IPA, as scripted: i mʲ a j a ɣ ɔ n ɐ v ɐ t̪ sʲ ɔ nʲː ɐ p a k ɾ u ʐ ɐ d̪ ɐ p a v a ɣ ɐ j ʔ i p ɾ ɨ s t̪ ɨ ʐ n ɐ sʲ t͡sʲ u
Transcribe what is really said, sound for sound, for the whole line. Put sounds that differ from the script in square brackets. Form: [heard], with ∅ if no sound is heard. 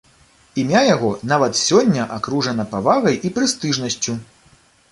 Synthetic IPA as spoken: i mʲ a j a ɣ ɔ n [a] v ɐ t̪ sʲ ɔ nʲː ɐ [ʔ] a k ɾ u ʐ ɐ [n̪] ɐ p a v a ɣ ɐ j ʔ i p ɾ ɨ s t̪ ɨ ʐ n ɐ sʲ t͡sʲ u